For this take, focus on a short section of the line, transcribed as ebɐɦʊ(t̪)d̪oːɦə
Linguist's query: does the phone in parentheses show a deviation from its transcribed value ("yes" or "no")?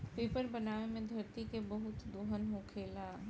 no